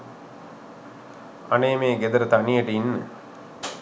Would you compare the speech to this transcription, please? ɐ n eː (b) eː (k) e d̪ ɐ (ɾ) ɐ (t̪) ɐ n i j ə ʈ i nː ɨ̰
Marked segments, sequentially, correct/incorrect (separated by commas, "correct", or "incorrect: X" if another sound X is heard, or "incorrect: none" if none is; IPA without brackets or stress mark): incorrect: m, incorrect: ɡ, correct, correct